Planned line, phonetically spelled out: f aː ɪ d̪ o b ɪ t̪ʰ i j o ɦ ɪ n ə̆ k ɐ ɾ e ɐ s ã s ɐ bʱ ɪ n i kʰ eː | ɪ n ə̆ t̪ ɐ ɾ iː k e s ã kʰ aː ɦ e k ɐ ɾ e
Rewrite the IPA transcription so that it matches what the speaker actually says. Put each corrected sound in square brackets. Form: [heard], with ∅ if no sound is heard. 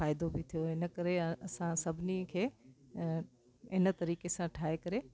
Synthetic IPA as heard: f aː ɪ d̪ o b ɪ t̪ʰ i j o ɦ ɪ n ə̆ k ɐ ɾ e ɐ s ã s ɐ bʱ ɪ n i kʰ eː | ɪ n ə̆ t̪ ɐ ɾ iː k e s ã [ʈʰ] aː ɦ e k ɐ ɾ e